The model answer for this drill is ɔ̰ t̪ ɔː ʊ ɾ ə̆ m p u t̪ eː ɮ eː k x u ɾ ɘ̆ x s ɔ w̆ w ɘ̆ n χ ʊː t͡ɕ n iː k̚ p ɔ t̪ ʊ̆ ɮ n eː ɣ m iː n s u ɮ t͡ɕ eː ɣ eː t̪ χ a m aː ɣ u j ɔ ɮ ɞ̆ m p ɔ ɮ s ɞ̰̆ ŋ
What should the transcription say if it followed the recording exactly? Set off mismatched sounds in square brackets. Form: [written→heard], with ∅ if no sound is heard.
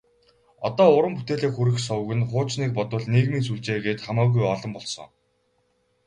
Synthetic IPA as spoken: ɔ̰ t̪ ɔː ʊ ɾ ə̆ m p u t̪ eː ɮ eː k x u ɾ ɘ̆ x s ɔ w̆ [w→ɣ] ɘ̆ n χ ʊː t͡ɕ n iː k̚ p ɔ t̪ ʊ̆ ɮ n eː ɣ m iː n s u ɮ t͡ɕ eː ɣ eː t̪ χ a m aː ɣ u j ɔ ɮ ɞ̆ m p ɔ ɮ s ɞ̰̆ ŋ